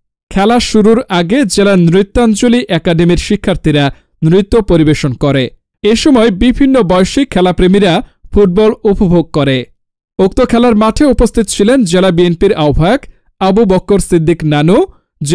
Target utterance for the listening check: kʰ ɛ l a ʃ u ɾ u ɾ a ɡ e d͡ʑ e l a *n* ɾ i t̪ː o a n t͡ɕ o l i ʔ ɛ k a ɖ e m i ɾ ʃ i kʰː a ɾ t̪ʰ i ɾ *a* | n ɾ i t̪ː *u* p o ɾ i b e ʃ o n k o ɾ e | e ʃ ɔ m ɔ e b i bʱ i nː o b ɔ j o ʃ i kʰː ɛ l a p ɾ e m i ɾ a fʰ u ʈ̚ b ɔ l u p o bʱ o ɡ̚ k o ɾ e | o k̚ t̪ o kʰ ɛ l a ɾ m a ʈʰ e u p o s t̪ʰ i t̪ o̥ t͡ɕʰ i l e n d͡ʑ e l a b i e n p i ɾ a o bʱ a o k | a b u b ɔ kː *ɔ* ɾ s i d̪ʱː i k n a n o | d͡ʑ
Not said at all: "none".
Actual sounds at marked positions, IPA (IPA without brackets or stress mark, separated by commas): n, a, o, o